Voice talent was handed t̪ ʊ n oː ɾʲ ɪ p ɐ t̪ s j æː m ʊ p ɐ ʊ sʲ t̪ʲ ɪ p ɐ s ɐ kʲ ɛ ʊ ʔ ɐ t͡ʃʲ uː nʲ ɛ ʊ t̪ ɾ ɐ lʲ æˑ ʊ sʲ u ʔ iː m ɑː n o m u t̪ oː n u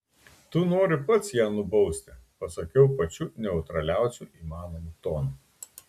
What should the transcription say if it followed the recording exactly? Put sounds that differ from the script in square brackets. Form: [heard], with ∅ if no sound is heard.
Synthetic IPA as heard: t̪ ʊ n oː ɾʲ ɪ p ɐ t̪ s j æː [n] ʊ [b] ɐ ʊ sʲ t̪ʲ ɪ p ɐ s ɐ kʲ ɛ ʊ [p] ɐ t͡ʃʲ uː nʲ ɛ ʊ t̪ ɾ ɐ lʲ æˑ ʊ sʲ u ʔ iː m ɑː n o m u t̪ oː n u